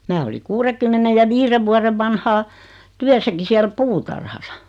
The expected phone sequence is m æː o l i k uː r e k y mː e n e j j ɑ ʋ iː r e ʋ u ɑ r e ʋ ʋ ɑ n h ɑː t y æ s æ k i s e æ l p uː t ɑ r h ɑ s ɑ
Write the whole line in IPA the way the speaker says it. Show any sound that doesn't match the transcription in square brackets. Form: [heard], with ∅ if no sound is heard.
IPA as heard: m æː o l i k uː r e k y mː e n e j j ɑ ʋ iː r e ʋ u ɑ r e ʋ ʋ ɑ n h ɑː t y æ s æ k i s [i] æ l p uː t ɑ r h ɑ s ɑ